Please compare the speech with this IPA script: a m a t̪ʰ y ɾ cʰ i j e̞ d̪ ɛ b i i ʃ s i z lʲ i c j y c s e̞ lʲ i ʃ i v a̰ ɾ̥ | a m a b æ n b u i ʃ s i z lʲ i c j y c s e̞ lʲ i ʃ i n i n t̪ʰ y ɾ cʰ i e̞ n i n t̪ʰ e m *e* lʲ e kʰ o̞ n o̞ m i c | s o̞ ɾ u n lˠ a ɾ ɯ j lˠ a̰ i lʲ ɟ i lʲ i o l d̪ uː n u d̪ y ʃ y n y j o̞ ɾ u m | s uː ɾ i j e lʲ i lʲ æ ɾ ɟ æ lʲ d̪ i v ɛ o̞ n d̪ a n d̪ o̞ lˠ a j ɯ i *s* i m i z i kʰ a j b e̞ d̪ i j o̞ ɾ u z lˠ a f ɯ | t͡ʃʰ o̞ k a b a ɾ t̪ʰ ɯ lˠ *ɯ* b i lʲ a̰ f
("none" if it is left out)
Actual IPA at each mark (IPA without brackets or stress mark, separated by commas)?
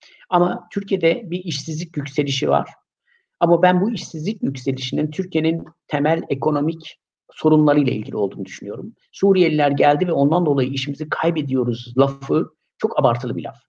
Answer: æ, ʃ, ɯ